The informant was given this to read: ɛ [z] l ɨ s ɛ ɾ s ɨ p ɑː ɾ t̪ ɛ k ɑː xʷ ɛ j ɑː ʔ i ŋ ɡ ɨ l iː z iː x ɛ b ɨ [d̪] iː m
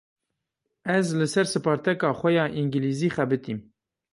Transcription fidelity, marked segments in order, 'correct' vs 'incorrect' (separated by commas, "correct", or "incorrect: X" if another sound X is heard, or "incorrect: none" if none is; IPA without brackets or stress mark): correct, incorrect: t̪